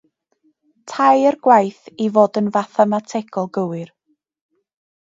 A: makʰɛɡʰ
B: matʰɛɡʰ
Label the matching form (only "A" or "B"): B